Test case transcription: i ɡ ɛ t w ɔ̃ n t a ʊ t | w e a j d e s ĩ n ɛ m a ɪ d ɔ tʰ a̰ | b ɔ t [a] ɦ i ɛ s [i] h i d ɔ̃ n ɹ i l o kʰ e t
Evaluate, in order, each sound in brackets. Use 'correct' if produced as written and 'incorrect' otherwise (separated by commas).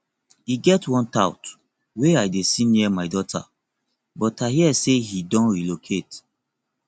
correct, incorrect